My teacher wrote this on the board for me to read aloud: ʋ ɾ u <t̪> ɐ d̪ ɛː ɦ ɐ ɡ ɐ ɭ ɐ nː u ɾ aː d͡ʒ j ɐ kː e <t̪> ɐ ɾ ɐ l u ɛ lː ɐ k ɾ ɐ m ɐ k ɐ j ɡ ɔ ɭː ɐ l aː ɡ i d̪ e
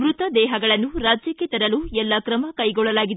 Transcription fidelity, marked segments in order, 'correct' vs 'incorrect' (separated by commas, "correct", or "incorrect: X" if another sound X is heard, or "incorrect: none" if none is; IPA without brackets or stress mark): correct, correct